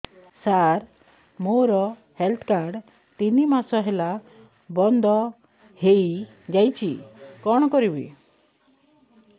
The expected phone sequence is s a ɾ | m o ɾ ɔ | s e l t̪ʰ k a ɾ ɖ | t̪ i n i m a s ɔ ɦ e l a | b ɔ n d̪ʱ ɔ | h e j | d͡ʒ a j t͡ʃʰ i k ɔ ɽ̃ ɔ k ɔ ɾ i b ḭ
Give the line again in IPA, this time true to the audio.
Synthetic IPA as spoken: s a ɾ | m o ɾ ɔ | h e l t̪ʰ k a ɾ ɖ | t̪ i n i m a s ɔ ɦ e l a | b ɔ n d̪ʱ ɔ | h e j | d͡ʒ a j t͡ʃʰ i k ɔ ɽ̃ ɔ k ɔ ɾ i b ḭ